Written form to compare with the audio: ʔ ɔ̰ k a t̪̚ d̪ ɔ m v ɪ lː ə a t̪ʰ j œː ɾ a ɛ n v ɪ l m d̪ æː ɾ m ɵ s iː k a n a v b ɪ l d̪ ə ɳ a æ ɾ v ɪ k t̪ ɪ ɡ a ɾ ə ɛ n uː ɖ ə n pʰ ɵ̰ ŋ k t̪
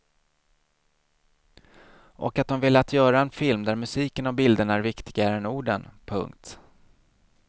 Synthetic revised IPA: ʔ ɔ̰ k a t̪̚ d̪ ɔ m v ɪ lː ə a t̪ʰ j œː ɾ a ɛ n f ɪ l m d̪ æ ɾ m ɵ s iː k ə n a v b ɪ l d̪ ə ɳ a æ ɾ v ɪ k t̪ ɪ ɡ a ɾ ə ɛ n uː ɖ ə n pʰ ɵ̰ ŋ k t̪